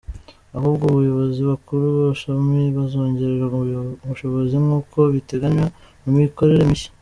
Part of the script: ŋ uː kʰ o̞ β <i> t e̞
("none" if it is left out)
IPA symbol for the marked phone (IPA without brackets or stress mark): i